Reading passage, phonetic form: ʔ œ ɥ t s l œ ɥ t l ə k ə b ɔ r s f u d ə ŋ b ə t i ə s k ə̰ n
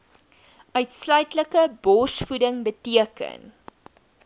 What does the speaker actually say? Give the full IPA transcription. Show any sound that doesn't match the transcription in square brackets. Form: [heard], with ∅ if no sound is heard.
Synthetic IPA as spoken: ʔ œ ɥ t s l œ ɥ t l ə k ə b ɔ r s f u d ə ŋ b ə t i ə [∅] k ə̰ n